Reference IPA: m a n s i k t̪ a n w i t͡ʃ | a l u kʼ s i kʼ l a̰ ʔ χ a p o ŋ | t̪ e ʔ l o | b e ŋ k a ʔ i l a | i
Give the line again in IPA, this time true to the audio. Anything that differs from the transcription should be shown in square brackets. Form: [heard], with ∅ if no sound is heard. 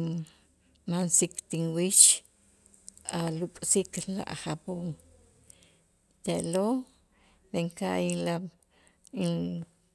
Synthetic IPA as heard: m a n s i k t̪ [i] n w i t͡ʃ | a l u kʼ s i [k] l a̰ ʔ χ a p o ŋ | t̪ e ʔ l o | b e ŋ k a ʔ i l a | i